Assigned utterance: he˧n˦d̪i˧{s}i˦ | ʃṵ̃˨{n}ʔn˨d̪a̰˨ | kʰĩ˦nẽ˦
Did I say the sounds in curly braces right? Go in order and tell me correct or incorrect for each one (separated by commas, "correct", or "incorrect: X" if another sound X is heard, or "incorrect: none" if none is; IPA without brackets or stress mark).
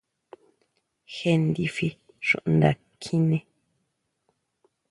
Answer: incorrect: f, incorrect: none